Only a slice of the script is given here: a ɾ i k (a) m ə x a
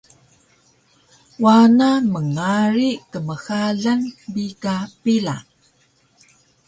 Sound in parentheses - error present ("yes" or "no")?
yes